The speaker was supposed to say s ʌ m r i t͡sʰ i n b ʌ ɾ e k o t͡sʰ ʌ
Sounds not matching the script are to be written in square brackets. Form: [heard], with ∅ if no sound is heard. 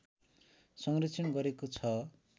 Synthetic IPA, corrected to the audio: s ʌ [ŋ] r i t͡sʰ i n [ɡ] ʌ ɾ e k o t͡sʰ ʌ